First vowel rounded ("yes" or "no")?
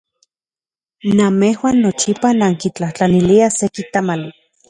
no